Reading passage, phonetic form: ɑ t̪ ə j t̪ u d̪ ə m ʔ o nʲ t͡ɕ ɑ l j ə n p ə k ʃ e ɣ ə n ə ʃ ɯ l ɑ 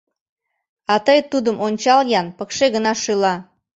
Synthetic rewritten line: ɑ t̪ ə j t̪ u d̪ ə m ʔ o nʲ t͡ɕ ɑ l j ɑ n p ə k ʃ e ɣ ə n ɑ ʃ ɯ l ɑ